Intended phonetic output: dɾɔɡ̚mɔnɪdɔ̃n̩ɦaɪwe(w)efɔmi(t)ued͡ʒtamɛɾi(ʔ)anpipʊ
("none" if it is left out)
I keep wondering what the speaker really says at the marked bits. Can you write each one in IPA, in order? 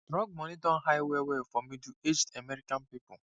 w, d, k

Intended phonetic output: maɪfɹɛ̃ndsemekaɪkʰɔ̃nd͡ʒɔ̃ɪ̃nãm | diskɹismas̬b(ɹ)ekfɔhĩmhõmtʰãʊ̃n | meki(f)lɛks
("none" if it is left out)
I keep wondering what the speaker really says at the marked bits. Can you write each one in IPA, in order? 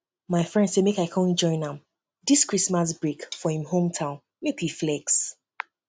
ɹ, f

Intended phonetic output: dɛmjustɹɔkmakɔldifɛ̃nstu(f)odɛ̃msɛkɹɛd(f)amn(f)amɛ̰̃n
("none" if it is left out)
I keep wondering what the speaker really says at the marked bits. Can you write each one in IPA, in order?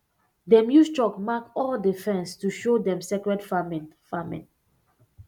ʃ, f, f

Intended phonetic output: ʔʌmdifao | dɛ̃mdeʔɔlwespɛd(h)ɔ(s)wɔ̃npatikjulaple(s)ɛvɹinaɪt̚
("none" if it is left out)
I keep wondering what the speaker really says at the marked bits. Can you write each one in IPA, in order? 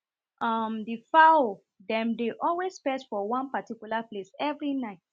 f, none, s

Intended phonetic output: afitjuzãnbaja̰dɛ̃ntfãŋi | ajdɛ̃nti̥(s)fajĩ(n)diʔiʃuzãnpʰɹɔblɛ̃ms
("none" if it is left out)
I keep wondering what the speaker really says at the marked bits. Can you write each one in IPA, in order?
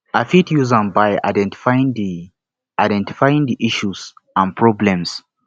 none, ŋ

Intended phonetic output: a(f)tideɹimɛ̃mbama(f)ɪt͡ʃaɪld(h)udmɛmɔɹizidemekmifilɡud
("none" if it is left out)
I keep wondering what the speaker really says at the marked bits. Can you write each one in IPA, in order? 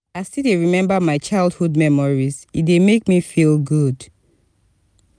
s, none, h

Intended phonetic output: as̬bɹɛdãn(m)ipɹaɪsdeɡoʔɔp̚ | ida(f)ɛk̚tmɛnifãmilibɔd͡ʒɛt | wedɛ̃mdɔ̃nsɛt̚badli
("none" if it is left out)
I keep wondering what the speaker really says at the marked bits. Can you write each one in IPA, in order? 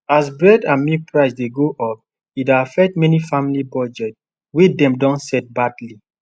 m, f

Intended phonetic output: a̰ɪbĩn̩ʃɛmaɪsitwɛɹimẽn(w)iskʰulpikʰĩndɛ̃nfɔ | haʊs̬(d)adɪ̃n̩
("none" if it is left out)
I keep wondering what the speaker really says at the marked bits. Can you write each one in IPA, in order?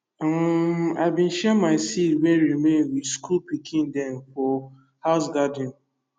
w, ɡ

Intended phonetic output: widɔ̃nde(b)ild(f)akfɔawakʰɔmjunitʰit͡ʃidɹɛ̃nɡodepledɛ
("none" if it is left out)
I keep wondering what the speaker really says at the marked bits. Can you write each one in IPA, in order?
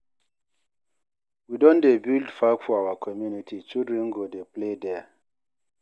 b, f

